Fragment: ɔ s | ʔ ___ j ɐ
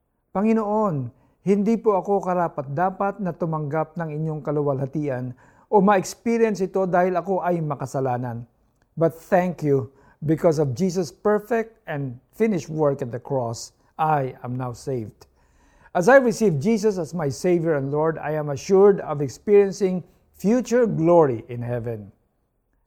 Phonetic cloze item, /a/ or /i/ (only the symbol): a